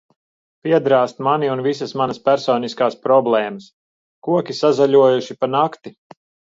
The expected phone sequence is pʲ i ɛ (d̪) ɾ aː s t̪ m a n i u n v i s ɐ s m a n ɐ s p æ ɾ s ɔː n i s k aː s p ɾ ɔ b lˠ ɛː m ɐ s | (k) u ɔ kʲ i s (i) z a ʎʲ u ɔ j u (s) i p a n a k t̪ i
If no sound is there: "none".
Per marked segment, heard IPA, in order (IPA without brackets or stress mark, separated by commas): d̪, k, a, ʃ